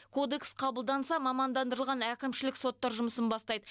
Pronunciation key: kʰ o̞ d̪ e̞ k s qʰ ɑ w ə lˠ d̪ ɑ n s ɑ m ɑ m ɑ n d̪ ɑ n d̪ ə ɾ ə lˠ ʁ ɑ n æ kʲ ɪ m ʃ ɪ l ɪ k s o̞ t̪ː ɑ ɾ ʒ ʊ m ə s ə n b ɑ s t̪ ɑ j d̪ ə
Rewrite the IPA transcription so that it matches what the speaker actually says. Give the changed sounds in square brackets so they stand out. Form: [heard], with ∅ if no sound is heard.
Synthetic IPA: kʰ o̞ d̪ e̞ k s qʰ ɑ [b] ə lˠ d̪ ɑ n s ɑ m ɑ m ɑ n d̪ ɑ n d̪ ə ɾ ə lˠ ʁ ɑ n æ kʲ ɪ m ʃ ɪ l ɪ k s o̞ t̪ː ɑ ɾ ʒ ʊ m ə s ə n b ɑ s t̪ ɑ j d̪ ə